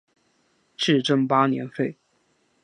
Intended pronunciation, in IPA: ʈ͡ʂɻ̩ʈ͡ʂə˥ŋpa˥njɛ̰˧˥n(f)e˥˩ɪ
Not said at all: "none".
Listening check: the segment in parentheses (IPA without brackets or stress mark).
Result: f